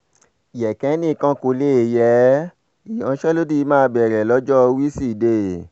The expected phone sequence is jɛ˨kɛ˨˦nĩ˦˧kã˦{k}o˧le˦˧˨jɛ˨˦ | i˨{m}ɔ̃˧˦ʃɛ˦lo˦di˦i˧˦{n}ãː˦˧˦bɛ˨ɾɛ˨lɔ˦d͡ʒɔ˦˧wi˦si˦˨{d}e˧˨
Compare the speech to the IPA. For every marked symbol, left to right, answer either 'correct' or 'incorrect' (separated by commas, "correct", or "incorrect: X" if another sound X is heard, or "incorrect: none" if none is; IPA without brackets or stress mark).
correct, incorrect: none, incorrect: m, correct